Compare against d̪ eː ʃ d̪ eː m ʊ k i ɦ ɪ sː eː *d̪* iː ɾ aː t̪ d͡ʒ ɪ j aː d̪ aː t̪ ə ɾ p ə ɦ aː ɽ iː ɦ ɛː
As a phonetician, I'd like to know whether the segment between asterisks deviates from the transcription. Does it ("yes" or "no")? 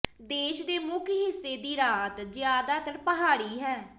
no